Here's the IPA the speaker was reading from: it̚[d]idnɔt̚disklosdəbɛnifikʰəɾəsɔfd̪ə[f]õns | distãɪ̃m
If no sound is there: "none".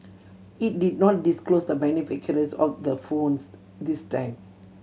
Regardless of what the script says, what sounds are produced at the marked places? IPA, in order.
d, f

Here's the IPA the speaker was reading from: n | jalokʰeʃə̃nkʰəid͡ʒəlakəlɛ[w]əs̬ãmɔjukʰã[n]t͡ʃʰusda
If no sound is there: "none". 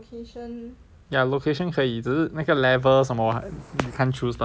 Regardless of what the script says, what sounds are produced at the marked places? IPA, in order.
v, n

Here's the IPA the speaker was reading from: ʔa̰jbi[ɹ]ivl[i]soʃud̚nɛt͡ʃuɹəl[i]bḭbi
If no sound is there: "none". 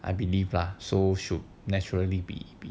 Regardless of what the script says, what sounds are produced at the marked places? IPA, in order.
l, a, i

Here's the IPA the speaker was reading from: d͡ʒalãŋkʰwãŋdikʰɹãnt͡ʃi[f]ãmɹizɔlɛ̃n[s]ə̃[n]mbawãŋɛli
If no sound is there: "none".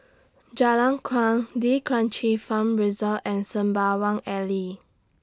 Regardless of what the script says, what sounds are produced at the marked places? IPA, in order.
f, s, none

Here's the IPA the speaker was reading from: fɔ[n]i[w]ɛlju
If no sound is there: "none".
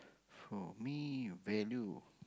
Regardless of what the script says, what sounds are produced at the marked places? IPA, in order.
m, v

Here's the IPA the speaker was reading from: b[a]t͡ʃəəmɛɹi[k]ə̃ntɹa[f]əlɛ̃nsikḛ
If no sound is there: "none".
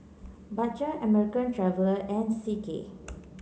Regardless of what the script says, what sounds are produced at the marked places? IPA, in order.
a, k, v

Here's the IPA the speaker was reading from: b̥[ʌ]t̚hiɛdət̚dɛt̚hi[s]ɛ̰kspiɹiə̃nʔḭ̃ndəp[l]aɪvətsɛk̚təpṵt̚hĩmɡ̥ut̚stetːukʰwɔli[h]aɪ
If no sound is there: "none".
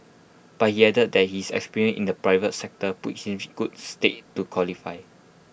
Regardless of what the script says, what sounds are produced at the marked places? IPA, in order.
a, s, ɹ, f

